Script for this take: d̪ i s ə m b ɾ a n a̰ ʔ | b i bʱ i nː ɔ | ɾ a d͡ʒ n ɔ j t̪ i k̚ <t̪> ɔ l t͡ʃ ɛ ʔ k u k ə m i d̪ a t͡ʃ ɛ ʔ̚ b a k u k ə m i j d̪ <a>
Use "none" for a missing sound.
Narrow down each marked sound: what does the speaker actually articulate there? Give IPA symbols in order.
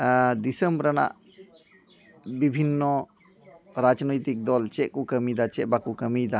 d̪, a

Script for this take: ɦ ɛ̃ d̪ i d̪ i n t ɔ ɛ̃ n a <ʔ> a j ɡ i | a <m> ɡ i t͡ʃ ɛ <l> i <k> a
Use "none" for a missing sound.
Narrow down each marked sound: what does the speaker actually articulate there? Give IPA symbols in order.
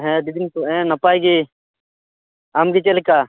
p, m, l, k

